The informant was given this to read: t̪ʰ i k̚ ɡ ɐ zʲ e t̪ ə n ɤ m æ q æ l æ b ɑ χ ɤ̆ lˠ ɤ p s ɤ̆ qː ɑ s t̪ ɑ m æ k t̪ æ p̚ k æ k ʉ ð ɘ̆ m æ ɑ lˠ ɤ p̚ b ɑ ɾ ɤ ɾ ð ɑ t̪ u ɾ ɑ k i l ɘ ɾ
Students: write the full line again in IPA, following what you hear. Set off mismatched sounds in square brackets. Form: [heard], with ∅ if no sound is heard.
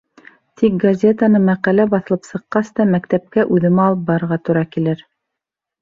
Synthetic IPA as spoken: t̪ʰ i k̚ ɡ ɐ zʲ e t̪ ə n ɤ m æ q æ l æ b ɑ [θ] ɤ̆ lˠ ɤ p s ɤ̆ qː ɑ s t̪ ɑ m æ k t̪ æ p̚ k æ [ʔ] ʉ ð ɘ̆ m æ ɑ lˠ ɤ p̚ b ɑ ɾ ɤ ɾ [ʁ] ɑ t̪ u ɾ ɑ k i l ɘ ɾ